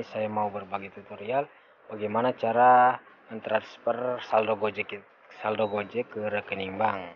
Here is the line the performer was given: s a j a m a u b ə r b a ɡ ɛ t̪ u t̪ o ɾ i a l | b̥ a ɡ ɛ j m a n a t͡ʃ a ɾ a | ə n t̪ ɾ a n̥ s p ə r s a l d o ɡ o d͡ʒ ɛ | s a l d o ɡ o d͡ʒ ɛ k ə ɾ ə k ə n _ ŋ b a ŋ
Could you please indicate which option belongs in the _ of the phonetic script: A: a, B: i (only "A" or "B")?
B